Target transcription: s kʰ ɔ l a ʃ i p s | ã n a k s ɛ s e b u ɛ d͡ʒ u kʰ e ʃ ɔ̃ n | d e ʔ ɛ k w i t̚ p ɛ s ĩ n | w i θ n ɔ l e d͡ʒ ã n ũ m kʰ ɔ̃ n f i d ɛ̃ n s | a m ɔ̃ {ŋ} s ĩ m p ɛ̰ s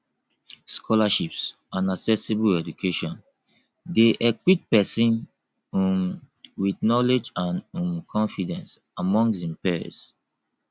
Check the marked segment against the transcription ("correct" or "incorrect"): correct